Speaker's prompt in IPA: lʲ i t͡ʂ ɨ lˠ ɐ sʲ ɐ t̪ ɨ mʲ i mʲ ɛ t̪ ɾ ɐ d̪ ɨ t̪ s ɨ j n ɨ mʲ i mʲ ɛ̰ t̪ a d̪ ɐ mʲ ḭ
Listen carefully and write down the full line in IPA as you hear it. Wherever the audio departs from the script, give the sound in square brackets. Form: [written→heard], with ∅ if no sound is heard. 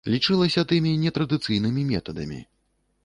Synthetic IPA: lʲ i t͡ʂ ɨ lˠ ɐ sʲ ɐ t̪ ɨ mʲ i [mʲ→nʲ] ɛ t̪ ɾ ɐ d̪ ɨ t̪ s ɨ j n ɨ mʲ i mʲ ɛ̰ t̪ [a→ɐ] d̪ ɐ mʲ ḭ